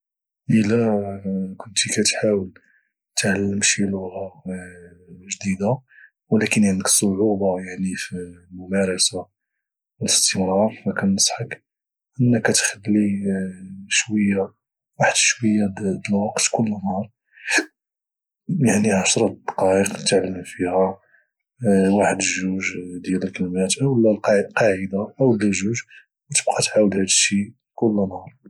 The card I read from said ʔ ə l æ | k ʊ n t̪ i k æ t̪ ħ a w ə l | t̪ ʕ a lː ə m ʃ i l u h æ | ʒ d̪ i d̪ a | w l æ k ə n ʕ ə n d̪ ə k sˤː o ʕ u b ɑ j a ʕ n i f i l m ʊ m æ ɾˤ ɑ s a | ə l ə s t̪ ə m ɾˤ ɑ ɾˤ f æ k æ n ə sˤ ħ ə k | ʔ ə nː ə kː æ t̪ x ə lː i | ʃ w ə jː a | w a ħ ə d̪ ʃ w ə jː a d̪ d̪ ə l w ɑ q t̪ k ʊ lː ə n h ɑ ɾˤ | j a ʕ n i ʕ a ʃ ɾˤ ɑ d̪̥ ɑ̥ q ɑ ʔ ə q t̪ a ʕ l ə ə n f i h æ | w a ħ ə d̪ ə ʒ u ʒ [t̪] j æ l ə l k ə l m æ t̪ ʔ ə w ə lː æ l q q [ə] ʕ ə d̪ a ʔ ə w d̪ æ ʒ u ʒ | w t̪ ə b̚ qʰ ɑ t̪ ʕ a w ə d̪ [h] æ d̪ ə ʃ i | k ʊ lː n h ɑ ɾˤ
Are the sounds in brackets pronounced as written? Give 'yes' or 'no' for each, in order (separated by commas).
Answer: no, no, yes